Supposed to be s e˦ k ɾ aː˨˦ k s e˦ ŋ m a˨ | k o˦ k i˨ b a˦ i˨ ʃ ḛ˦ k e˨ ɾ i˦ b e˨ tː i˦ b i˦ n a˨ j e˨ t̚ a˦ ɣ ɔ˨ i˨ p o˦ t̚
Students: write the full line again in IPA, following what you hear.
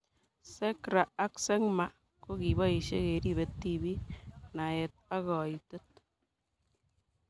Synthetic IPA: s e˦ k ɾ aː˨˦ k s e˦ ŋ m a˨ | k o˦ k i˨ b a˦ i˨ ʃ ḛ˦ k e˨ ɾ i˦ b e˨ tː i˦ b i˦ n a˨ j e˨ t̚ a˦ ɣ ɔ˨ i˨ t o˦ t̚